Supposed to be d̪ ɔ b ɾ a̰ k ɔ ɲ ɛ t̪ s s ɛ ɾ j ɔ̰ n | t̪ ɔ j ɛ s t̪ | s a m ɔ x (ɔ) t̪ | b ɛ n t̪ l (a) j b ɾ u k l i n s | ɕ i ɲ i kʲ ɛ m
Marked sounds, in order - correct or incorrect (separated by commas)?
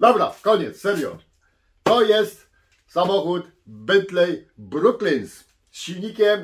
incorrect, incorrect